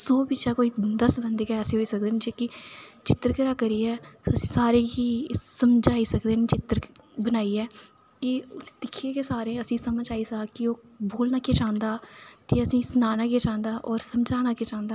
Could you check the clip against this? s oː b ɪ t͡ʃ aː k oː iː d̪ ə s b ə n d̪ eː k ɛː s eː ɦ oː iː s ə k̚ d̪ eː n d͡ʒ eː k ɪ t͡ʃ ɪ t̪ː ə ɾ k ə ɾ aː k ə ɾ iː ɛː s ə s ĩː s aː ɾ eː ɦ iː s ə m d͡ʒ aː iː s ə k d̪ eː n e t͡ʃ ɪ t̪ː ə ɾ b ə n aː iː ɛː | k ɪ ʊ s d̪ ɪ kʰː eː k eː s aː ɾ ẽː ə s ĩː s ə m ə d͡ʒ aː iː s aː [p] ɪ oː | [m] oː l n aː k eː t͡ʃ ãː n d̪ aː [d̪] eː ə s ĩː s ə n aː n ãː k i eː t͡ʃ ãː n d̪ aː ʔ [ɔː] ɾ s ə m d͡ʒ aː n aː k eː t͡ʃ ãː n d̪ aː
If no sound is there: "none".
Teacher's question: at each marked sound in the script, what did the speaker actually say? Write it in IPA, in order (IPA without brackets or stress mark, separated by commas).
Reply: k, b, t̪, ɔː